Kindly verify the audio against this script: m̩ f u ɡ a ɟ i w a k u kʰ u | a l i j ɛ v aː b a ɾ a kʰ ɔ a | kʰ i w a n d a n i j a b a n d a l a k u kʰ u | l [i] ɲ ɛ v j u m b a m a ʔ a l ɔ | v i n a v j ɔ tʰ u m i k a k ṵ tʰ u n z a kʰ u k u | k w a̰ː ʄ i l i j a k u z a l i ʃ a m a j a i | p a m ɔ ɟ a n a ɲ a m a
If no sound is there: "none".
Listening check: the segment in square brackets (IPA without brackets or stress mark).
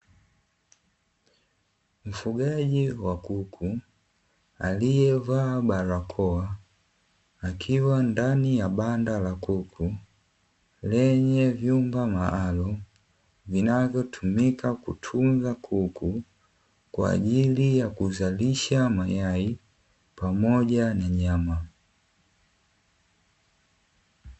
ɛ